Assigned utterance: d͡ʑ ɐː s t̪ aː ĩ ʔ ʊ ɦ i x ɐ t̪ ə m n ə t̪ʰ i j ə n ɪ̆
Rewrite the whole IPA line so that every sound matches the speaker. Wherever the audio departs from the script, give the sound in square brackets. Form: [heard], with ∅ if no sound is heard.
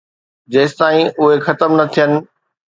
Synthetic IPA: d͡ʑ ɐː s t̪ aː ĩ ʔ ʊ ɦ [e] x ɐ t̪ ə m n [ɐ] t̪ʰ i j ə n ɪ̆